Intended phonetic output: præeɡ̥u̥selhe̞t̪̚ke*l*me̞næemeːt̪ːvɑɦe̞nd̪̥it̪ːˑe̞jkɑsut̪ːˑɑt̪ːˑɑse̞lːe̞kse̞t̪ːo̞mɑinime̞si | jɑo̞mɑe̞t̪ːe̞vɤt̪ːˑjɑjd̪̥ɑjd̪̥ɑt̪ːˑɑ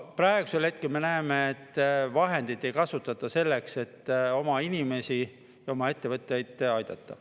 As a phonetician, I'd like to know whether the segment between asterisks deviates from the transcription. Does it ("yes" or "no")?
no